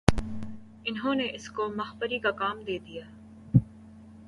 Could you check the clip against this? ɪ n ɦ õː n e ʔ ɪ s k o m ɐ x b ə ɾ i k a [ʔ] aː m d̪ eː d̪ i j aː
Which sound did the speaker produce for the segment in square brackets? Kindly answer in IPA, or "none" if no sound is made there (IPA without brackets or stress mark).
k